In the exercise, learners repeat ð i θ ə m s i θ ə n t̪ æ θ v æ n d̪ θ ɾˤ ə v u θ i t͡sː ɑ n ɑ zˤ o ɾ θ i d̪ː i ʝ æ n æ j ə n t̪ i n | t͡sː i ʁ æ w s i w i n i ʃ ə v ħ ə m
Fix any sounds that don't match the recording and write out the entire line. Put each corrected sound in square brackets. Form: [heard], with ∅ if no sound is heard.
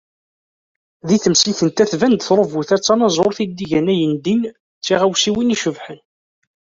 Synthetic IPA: ð i θ ə m s i θ ə n t̪ æ θ v æ n d̪ θ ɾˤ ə v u θ [æ] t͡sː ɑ n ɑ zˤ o ɾ θ i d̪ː i ʝ æ n æ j ə n [d̪] i n | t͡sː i ʁ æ w s i w i n i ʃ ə v ħ ə [n]